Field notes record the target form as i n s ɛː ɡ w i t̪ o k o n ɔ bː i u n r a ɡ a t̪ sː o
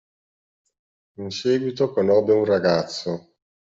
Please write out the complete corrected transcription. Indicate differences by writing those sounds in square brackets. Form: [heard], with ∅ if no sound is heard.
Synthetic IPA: i n s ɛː ɡ w i t̪ o k o n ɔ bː [e] u n r a ɡ a t̪ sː o